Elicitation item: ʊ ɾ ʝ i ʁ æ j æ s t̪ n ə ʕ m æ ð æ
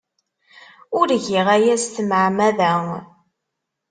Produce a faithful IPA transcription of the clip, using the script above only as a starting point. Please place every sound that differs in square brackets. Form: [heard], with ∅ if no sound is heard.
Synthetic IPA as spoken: ʊ ɾ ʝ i ʁ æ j æ s t̪ [m] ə ʕ m æ ð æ

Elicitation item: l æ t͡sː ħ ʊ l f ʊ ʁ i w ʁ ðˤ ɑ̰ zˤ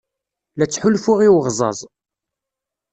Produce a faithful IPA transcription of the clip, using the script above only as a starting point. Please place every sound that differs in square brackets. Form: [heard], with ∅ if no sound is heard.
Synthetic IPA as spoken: l æ t͡sː ħ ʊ l f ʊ ʁ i w ʁ [zˤ] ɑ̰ zˤ

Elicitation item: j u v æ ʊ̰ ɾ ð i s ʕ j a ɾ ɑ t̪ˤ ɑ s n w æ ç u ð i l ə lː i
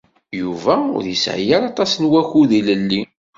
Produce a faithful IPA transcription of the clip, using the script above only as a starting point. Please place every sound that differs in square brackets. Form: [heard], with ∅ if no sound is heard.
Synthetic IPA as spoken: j u v æ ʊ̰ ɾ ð i s ʕ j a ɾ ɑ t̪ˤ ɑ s n w æ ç u ð i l ə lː i

